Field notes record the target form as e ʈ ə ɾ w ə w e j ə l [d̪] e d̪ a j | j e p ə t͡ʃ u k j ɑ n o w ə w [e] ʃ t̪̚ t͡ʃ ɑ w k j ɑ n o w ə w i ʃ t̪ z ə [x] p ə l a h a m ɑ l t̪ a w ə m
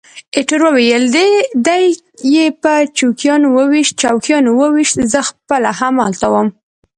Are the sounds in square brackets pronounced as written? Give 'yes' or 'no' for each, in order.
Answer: yes, no, yes

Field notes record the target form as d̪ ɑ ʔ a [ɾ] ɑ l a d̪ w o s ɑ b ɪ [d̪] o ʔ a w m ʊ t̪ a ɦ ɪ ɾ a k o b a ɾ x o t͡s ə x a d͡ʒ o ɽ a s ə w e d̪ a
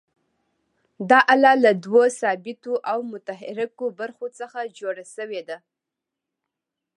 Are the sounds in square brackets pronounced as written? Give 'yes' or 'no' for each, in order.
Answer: no, no

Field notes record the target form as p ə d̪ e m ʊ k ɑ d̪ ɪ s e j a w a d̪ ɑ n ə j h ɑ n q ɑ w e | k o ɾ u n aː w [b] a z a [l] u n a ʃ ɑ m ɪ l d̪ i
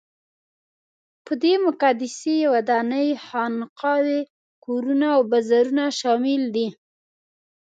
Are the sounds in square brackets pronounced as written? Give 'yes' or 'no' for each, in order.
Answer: yes, no

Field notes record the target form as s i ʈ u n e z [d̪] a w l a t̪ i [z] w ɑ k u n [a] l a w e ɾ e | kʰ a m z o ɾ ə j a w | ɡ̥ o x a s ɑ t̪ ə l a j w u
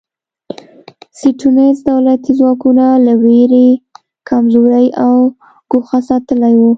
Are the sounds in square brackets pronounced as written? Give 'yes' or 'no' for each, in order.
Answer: yes, yes, yes

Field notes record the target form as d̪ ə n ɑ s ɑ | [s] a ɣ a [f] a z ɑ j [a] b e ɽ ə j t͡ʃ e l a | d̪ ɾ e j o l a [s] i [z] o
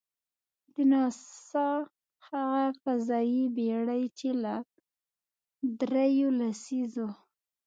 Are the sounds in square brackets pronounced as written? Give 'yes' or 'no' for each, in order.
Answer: no, yes, no, yes, yes

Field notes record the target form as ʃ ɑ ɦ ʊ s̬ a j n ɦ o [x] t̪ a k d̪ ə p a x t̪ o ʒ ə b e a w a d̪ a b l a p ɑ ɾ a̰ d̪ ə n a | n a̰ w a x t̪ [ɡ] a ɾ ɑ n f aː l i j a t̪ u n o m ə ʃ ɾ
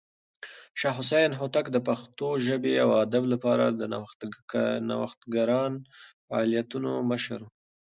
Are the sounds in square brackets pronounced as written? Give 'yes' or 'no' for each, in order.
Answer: no, yes

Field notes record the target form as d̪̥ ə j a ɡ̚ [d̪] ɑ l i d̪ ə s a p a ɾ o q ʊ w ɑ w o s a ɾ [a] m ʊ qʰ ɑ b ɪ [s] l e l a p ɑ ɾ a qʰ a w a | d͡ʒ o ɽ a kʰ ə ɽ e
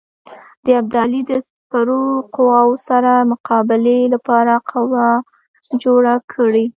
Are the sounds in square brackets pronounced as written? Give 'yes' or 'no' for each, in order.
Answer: yes, yes, no

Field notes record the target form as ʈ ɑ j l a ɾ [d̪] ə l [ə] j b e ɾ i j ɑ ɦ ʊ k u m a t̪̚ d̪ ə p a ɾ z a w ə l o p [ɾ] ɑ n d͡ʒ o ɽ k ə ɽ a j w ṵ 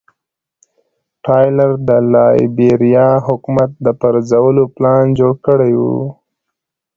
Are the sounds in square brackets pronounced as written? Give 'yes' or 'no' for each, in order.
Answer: yes, no, no

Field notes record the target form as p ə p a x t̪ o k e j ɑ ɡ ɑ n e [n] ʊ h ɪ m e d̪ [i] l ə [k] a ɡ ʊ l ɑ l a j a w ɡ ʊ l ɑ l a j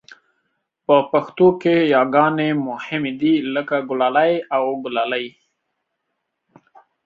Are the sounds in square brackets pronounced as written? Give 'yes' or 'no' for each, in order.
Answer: no, yes, yes

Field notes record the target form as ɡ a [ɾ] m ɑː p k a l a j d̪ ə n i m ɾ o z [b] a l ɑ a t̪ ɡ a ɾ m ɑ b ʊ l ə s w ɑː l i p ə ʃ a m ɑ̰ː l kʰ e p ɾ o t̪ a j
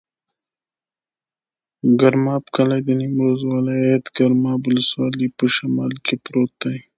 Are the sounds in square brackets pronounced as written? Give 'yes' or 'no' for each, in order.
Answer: yes, no

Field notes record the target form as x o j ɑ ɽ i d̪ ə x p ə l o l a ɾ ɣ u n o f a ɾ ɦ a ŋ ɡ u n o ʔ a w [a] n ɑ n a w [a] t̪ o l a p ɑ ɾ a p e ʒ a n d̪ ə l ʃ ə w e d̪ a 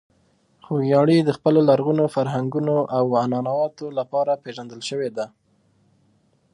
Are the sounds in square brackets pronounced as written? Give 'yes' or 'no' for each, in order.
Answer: yes, no

